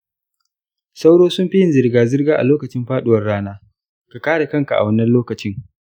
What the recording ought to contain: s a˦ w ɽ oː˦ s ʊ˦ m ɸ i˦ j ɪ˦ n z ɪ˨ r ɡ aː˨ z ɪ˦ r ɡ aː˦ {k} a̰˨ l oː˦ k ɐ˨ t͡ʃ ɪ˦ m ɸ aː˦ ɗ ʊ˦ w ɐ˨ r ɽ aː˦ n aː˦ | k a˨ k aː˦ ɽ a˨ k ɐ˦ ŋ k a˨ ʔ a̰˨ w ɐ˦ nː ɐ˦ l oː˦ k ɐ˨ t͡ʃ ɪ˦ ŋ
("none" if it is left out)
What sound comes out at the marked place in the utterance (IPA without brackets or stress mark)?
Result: ʔ